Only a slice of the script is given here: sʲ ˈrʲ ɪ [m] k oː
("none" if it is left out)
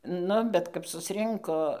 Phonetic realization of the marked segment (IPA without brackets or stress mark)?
ŋ